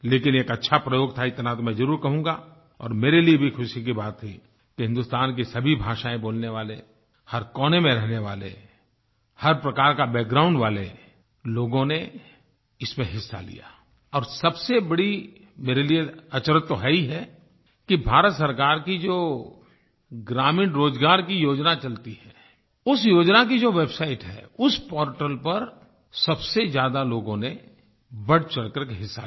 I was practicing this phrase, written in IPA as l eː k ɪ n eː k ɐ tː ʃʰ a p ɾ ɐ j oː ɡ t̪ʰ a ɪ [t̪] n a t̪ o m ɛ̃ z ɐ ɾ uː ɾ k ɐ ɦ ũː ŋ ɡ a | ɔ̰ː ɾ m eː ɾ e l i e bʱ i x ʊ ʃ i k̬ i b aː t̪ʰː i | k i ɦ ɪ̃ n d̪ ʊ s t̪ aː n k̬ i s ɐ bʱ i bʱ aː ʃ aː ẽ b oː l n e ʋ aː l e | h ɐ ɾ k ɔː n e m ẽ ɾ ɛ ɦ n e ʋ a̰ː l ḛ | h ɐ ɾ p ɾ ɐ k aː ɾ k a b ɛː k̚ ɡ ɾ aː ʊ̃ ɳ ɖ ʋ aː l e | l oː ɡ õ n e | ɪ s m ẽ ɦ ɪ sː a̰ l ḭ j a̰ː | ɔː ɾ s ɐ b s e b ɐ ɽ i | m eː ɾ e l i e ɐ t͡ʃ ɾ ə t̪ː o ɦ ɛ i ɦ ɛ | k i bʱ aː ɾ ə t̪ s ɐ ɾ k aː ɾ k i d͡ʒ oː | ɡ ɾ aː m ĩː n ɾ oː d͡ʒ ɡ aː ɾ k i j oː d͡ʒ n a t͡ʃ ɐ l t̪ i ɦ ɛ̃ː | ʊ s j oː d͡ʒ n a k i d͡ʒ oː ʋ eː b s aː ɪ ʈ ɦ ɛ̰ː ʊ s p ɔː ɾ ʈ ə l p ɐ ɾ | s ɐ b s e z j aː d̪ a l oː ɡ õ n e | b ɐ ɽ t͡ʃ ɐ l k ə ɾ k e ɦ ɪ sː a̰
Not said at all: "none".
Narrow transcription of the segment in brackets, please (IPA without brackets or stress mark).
t̪